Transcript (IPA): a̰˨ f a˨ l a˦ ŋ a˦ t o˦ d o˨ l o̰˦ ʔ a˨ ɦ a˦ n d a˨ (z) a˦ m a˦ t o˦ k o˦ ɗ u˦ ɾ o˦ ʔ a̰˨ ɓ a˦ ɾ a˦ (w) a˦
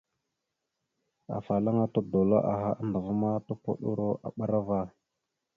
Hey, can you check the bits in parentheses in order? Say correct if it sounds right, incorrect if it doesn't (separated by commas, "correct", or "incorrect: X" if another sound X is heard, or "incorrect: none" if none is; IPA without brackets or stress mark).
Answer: incorrect: v, incorrect: v